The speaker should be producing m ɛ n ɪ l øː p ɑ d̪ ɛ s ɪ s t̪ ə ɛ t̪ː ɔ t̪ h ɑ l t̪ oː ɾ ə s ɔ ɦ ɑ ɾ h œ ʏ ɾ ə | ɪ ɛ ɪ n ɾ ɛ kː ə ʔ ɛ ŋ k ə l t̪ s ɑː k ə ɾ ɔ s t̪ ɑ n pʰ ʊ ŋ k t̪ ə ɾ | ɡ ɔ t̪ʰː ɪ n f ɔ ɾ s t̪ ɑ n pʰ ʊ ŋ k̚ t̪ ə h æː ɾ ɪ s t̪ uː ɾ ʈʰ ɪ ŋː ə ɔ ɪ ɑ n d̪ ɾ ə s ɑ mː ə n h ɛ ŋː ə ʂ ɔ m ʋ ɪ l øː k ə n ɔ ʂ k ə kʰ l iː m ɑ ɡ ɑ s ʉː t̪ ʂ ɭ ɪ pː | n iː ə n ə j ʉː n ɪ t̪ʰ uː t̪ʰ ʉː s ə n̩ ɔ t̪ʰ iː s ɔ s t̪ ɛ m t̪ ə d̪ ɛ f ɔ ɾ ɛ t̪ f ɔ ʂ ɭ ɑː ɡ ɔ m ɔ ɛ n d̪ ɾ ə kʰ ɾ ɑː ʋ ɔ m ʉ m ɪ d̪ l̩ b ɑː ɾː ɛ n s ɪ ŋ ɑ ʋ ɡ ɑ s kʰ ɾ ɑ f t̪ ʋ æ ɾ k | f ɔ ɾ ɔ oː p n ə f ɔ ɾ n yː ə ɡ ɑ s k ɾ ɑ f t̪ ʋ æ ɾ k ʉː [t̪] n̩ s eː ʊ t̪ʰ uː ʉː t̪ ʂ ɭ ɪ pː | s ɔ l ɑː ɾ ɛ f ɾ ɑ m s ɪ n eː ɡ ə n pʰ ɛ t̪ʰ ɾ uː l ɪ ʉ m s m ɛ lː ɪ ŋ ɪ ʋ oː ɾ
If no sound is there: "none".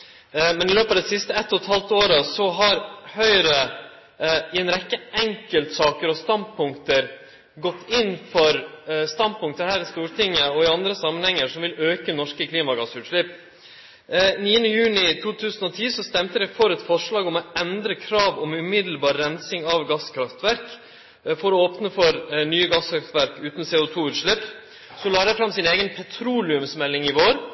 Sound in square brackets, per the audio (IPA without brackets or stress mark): t̪